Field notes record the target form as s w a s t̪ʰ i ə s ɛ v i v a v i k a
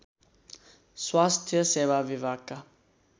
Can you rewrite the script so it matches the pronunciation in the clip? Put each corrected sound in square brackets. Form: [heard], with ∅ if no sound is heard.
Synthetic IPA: s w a s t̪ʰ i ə s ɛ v [a] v [i] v [a] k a